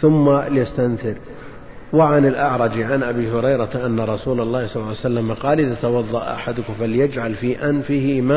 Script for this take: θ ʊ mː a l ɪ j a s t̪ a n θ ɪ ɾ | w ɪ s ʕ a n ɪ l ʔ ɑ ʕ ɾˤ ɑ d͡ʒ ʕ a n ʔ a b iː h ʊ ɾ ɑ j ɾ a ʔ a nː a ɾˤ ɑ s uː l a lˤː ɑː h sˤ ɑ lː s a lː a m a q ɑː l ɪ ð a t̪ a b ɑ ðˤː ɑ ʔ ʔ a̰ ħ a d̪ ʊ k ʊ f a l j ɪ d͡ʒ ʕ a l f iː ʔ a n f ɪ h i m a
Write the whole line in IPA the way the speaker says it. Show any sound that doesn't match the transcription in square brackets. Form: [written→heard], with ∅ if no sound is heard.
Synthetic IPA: θ ʊ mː a l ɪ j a s t̪ a n θ ɪ ɾ | w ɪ [s→∅] ʕ a n ɪ l ʔ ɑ ʕ ɾˤ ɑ d͡ʒ ʕ a n ʔ a b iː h ʊ ɾ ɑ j ɾ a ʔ a nː a ɾˤ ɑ s uː l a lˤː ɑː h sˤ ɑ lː s a lː a m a q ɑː l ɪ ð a t̪ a [b→w] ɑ ðˤː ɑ ʔ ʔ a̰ ħ a d̪ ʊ k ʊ f a l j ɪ d͡ʒ ʕ a l f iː ʔ a n f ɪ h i m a